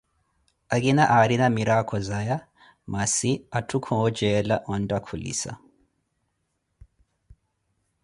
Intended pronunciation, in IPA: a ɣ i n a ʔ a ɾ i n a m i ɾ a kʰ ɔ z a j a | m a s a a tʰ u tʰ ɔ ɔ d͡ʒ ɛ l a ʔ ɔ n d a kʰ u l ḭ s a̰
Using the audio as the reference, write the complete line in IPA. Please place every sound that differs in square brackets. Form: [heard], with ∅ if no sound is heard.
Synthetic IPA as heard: a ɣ i n a ʔ a ɾ i n a m i ɾ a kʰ ɔ z a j a | m a s [i] a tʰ u [kʰ] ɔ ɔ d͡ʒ ɛ l a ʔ ɔ n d a kʰ u l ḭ s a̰